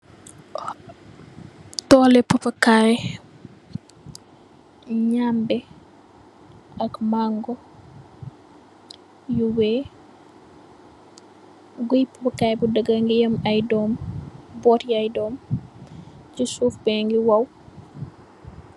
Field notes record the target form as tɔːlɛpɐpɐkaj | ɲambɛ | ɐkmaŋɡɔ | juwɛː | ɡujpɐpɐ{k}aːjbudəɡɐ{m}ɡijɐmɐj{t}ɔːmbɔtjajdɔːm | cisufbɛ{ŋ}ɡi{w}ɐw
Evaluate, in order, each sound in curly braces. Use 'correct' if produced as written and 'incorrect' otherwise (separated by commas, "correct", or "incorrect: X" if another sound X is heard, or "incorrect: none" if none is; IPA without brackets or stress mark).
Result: correct, incorrect: ŋ, incorrect: d, correct, correct